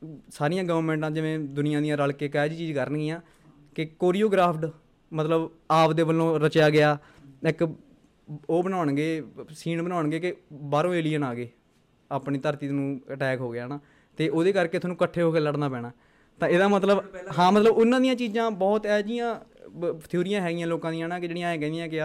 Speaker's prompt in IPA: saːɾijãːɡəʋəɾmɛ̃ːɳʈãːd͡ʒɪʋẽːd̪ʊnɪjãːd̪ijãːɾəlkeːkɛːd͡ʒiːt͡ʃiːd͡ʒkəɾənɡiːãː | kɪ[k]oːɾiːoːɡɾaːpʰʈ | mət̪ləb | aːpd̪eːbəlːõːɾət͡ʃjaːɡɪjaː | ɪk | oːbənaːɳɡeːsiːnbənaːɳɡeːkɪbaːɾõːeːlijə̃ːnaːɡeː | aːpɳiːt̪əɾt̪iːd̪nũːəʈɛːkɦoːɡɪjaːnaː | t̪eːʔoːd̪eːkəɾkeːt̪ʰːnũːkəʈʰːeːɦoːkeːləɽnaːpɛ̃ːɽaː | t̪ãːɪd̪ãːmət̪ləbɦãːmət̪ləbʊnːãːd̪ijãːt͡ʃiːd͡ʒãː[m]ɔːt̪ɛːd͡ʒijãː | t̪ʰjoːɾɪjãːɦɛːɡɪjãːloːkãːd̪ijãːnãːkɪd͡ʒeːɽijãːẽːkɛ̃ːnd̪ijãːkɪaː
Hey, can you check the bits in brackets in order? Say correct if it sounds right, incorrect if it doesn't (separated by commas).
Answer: correct, incorrect